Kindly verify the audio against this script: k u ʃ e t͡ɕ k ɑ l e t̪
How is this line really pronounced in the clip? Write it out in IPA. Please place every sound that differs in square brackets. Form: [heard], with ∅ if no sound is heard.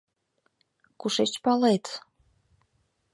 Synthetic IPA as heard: k u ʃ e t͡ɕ [p] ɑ l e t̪